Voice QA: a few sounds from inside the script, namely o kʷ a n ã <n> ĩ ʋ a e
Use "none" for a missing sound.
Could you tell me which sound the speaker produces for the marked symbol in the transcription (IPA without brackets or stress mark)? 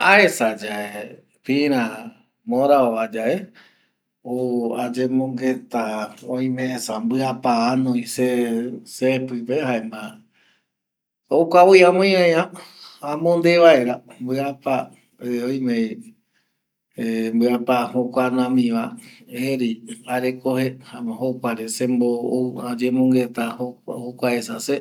m